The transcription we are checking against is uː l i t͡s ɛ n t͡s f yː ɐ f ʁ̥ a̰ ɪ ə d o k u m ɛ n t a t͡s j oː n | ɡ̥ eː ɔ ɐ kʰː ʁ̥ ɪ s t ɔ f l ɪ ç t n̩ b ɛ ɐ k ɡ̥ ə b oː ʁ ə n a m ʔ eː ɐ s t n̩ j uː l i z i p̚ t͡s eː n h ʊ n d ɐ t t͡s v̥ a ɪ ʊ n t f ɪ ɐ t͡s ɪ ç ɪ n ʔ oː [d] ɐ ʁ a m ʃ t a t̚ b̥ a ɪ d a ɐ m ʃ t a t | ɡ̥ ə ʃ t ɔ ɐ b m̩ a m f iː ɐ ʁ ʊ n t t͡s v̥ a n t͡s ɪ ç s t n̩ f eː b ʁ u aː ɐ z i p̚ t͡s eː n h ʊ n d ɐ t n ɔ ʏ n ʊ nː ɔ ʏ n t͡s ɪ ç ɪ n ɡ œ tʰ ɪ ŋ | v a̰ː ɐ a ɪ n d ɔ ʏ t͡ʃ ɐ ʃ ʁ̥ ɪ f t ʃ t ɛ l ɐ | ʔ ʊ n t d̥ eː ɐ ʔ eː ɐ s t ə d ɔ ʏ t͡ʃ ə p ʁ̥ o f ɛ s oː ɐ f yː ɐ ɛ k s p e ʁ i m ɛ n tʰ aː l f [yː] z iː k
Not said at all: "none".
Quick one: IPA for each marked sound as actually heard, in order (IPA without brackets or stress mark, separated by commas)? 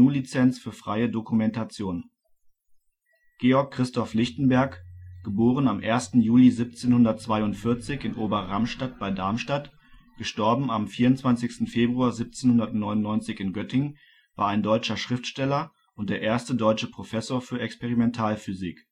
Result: b, y